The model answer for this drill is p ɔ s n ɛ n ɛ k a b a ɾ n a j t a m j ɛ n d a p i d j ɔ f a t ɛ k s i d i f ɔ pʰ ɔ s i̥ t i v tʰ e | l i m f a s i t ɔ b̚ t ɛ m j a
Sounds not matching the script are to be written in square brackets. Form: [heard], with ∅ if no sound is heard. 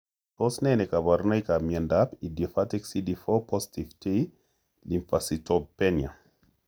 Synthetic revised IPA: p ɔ s n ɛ n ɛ k a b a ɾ n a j [k] a m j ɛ n d a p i d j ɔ f a t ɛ k s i d i f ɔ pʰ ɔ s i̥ t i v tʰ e | l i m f a s i t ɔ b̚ [p] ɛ [n] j a